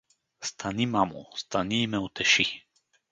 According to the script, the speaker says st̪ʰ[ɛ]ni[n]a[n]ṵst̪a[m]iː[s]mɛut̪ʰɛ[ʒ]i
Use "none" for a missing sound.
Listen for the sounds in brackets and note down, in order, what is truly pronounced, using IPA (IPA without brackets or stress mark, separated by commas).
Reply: a, m, m, n, none, ʃ